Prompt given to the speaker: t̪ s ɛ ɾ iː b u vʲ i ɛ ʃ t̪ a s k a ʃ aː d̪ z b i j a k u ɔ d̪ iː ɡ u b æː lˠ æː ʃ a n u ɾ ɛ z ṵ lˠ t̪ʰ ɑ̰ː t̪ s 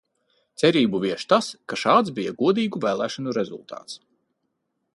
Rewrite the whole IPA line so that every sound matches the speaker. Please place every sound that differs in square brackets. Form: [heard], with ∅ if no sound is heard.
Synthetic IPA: t̪ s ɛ ɾ iː b u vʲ i ɛ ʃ t̪ a s k a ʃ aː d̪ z b i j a [ɡ] u ɔ d̪ iː ɡ u [v] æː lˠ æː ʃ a n u ɾ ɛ z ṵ lˠ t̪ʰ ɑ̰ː t̪ s